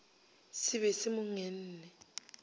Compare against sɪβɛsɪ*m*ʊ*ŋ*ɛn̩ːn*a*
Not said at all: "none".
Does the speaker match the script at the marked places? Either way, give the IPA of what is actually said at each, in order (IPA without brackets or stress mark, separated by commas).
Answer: m, ŋ, ɛ